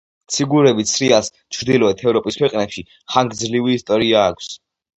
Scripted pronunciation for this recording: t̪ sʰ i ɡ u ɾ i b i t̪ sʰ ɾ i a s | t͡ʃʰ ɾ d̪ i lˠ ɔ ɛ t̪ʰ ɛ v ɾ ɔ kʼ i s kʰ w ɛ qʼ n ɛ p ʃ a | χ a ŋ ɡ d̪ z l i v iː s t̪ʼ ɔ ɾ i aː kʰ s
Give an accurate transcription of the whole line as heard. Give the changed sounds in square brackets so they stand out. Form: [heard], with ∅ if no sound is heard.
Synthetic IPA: t̪ sʰ i ɡ u ɾ [ɛ] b i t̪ sʰ ɾ i a s | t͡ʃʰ ɾ d̪ i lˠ ɔ ɛ t̪ʰ ɛ v ɾ ɔ [pʼ] i s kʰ w ɛ qʼ n ɛ p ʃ [i] | χ a ŋ ɡ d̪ z l i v iː s t̪ʼ ɔ ɾ i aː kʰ s